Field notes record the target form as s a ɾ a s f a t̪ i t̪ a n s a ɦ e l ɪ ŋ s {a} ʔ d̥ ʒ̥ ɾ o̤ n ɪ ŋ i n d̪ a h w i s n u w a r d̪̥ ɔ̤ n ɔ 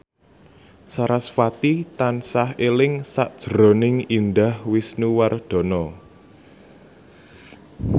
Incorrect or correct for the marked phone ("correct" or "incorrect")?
correct